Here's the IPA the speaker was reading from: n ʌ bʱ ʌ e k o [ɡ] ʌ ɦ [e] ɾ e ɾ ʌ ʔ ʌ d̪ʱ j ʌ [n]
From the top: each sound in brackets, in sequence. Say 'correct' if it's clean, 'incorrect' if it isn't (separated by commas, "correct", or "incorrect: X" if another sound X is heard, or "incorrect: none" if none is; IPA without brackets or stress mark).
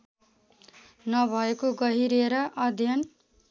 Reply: correct, incorrect: i, correct